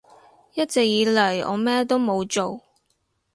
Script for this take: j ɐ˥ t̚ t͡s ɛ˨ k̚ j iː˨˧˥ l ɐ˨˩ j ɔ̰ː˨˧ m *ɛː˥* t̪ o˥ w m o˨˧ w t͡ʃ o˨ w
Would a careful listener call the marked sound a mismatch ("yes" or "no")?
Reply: no